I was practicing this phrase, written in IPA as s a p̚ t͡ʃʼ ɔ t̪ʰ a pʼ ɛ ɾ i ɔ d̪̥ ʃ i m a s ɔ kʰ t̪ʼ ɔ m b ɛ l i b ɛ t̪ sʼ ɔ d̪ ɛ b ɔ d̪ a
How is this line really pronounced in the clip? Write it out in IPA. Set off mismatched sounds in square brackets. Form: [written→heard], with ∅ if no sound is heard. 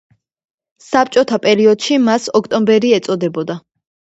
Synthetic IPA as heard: s a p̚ t͡ʃʼ ɔ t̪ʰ a pʼ ɛ ɾ i ɔ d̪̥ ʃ i m a s ɔ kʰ t̪ʼ ɔ m b ɛ [l→ɾ] i [b→∅] ɛ t̪ sʼ ɔ d̪ ɛ b ɔ d̪ a